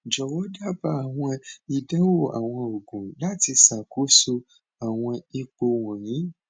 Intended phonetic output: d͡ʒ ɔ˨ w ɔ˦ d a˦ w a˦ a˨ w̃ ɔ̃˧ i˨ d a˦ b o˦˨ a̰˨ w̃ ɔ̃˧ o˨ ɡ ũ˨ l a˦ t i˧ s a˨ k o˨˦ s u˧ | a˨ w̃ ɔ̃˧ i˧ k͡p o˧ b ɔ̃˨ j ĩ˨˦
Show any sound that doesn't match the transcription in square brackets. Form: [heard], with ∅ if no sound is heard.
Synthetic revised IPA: d͡ʒ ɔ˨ w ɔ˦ d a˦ [b] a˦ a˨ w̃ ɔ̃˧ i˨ d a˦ [w] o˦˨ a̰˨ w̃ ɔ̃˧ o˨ ɡ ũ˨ l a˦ t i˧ s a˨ k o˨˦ s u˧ | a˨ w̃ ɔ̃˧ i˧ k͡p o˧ [w] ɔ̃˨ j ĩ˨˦